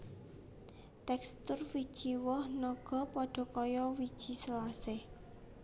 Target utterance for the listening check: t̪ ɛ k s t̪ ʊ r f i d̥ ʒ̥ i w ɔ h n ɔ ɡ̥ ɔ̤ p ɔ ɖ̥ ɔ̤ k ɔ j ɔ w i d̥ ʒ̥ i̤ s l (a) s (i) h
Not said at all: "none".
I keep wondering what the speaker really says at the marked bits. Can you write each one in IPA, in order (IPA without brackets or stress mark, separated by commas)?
a, ɪ